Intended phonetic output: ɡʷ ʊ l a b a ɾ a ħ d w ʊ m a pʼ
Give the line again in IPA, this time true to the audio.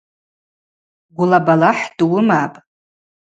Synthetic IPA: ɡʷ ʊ l a b a l a ħ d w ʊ m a pʼ

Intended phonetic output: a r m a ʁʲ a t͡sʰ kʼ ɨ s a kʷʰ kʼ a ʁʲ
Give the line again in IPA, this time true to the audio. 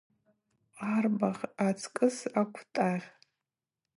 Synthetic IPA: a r b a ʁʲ a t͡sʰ kʼ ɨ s a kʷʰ tʼ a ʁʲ

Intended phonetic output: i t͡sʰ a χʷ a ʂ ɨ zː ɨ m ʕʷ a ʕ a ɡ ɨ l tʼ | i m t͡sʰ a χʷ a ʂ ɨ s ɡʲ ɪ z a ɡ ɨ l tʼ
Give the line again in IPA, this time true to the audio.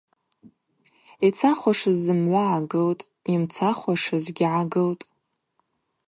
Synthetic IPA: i t͡sʰ a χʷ a ʂ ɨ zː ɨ m ʕʷ a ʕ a ɡ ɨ l tʼ | i m t͡sʰ a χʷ a ʂ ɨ z ɡʲ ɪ ʕ a ɡ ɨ l tʼ

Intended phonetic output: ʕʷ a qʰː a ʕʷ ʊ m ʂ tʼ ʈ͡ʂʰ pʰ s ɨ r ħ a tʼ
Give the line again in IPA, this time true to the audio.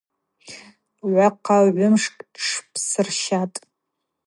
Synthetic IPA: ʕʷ a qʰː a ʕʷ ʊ m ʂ kʼ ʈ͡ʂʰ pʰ s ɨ r ʃ a tʼ

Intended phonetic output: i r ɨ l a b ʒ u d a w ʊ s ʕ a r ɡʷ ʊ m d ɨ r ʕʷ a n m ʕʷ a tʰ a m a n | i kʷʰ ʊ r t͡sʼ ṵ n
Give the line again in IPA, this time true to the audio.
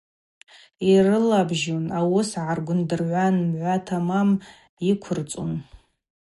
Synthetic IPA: i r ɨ l a b ʒ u n a w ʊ s ʕ a r ɡʷ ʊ n d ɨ r ʕʷ a n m ʕʷ a tʰ a m a m | i kʷʰ ʊ r t͡sʼ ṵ n

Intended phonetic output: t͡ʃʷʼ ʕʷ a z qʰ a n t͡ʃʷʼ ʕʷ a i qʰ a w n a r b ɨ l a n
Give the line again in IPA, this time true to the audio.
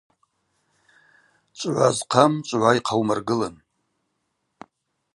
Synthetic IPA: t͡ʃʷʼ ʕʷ a z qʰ a m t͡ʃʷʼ ʕʷ a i qʰ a w m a r ɡ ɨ l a n

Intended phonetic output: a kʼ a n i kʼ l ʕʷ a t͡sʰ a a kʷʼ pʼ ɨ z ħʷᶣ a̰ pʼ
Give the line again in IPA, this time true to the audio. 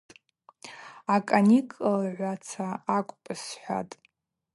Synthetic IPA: a kʼ a n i kʼ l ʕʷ a t͡sʰ a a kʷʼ pʼ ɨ s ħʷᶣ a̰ tʼ

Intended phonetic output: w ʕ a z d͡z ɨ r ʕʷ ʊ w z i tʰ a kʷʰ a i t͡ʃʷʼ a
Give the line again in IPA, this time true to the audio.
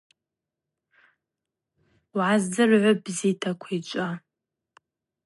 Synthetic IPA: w ʕ a z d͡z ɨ r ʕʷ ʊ b z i tʰ a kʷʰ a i t͡ʃʷʼ a

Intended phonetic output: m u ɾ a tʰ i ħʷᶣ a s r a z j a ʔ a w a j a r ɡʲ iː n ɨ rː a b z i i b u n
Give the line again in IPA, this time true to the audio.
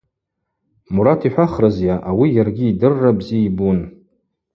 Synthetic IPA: m u ɾ a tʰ i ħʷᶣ a χ r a z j a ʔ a w i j a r ɡʲ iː d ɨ rː a b z i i b u n

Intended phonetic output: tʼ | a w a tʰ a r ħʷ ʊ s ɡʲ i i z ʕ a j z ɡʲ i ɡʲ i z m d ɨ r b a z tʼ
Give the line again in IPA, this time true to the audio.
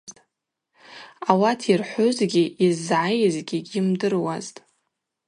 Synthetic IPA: tʼ | a w a tʰ i r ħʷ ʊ z ɡʲ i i z ʕ a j z ɡʲ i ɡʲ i m d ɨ r w a z tʼ

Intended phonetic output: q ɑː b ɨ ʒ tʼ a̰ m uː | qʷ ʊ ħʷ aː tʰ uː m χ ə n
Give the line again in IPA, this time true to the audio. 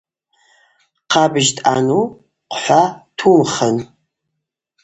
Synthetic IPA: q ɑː b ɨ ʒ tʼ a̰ n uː | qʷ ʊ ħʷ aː tʰ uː m χ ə n

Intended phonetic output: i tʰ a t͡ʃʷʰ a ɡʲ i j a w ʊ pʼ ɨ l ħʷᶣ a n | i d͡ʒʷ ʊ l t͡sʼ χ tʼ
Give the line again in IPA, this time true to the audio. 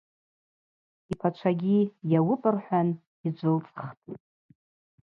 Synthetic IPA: i pʰ a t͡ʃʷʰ a ɡʲ i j a w ʊ pʼ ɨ r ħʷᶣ a n | i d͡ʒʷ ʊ l t͡sʼ χ tʼ

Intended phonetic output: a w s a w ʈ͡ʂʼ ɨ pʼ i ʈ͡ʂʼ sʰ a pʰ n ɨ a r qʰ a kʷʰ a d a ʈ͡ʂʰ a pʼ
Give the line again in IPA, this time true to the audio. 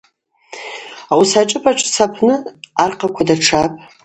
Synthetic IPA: a w s a ʈ͡ʂʼ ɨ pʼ a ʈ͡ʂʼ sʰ a pʰ n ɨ a r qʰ a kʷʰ a d a ʈ͡ʂʰ a pʼ

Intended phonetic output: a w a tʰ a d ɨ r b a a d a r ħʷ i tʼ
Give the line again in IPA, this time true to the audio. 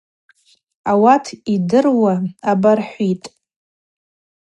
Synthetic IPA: a w a tʰ i d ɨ r w a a b a r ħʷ i tʼ

